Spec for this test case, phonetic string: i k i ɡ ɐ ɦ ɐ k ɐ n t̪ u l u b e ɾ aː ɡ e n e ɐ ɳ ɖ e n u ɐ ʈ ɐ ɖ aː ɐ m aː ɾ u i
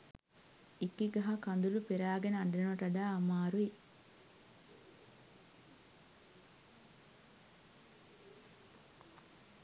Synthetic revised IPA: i k i ɡ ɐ ɦ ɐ k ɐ n d̪ u l u p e ɾ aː ɡ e n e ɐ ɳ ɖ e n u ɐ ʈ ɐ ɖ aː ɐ m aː ɾ u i

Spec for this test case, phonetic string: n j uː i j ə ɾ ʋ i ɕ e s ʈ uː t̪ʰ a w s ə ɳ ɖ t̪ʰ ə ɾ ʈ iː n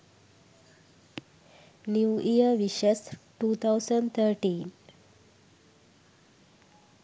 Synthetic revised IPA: n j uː i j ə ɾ ʋ i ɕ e s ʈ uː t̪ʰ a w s ə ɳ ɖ t̪ʰ ə ɾ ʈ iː n

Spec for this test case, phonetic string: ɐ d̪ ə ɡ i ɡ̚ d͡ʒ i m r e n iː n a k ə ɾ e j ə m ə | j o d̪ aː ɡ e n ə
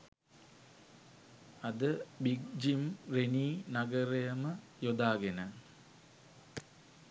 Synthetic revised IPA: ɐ d̪ ə b i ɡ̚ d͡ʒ i m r e n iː n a ɡ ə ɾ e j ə m ə | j o d̪ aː ɡ e n ə

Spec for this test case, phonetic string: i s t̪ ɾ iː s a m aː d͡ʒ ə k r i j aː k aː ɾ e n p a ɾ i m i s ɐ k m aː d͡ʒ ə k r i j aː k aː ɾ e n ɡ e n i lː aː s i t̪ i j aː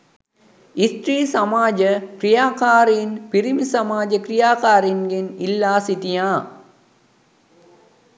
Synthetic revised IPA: i s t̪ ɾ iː s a m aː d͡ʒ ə k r i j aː k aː ɾ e n p i ɾ i m i s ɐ m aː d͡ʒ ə k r i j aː k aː ɾ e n ɡ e n i lː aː s i t̪ i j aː

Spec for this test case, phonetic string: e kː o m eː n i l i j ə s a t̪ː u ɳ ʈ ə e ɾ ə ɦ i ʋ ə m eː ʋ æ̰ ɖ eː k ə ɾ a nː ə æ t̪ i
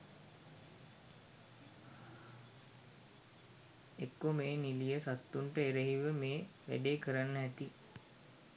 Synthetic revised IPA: e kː o m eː n i l i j ə s a t̪ː u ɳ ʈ ə e ɾ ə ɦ i ʋ ə m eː ʋ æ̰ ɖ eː k ə ɾ a nː ə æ t̪ i

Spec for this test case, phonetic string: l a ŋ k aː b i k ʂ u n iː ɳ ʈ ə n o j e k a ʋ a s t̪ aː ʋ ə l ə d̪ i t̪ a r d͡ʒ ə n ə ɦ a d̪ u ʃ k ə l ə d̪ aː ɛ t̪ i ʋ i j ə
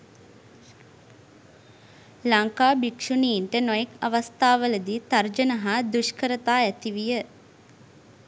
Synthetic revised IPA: l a ŋ k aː b i k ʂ u n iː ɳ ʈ ə n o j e k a ʋ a s t̪ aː ʋ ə l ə d̪ i t̪ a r d͡ʒ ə n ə ɦ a d̪ u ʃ k ə ɾ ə t̪ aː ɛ t̪ i ʋ i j ə

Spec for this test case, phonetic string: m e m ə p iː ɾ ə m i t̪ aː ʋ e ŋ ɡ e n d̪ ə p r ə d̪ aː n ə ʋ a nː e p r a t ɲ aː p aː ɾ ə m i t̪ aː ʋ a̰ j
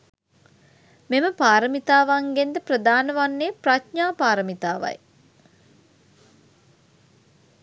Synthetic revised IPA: m e m ə p aː ɾ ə m i t̪ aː ʋ a ŋ ɡ e n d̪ ə p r ə d̪ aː n ə ʋ a nː e p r a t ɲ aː p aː ɾ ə m i t̪ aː ʋ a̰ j

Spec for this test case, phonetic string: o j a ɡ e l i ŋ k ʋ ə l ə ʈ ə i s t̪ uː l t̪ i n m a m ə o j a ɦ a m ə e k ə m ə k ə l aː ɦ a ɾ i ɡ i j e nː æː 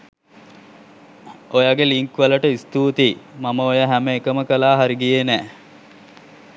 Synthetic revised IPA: o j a ɡ e l i ŋ k ʋ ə l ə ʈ ə i s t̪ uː t̪ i m a m ə o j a ɦ æ m ə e k ə m ə k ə l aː ɦ a ɾ i ɡ i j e n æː

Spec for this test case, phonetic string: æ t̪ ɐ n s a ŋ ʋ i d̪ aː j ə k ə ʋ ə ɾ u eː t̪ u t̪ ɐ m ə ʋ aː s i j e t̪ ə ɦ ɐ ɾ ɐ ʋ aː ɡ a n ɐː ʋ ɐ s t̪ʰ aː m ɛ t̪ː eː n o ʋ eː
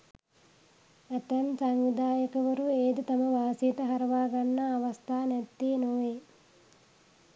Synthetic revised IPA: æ t̪ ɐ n s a ŋ ʋ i d̪ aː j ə k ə ʋ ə ɾ u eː d̪ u t̪ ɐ m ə ʋ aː s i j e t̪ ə ɦ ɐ ɾ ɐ ʋ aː ɡ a nː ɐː ʋ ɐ s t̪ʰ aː n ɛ t̪ː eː n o ʋ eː

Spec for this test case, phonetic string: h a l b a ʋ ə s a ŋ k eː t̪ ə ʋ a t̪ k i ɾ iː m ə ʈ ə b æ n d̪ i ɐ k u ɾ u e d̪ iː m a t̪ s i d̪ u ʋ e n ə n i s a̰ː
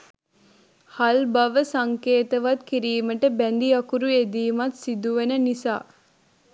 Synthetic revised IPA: h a l b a ʋ ə s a ŋ k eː t̪ ə ʋ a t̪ k i ɾ iː m ə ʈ ə b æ n d̪ i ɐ k u ɾ u e d̪ iː m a t̪ s i d̪ u ʋ e n ə n i s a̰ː

